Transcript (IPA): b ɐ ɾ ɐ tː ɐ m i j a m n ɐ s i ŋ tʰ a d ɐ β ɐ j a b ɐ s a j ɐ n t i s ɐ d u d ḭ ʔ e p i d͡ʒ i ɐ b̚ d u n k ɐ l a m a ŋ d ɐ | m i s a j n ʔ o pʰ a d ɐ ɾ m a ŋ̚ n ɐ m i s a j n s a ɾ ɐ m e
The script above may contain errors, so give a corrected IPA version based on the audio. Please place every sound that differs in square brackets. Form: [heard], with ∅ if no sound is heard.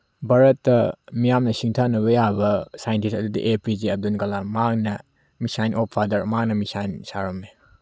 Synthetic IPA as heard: b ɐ ɾ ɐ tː ɐ m i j a m n ɐ s i ŋ tʰ a [n] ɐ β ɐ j a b ɐ s a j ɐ n t i s ɐ d u d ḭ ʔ e p i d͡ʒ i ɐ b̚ d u n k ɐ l a m a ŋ [n] ɐ | m i s a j n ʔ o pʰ a d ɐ ɾ m a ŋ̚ n ɐ m i s a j n s a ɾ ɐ m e